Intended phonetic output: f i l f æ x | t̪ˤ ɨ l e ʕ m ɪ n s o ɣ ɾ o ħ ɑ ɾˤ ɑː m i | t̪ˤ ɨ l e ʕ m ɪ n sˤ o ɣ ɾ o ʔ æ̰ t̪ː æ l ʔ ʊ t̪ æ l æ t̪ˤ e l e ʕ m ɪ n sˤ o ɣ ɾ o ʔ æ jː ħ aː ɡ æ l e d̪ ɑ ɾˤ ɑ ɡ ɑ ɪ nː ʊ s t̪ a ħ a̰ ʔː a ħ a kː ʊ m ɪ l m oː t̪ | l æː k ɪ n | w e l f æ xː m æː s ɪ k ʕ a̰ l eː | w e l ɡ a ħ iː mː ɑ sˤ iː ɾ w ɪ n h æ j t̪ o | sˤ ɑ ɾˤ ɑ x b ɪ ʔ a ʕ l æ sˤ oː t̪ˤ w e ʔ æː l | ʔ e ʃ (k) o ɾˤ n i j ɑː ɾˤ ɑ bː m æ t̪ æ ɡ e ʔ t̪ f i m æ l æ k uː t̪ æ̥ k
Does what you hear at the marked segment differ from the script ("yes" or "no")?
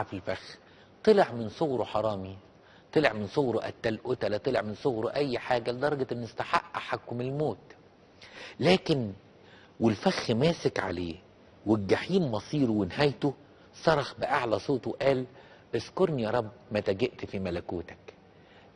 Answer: no